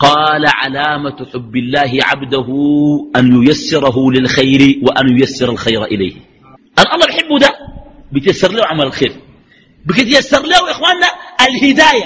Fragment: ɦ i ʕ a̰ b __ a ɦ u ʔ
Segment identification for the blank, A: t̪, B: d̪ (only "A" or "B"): B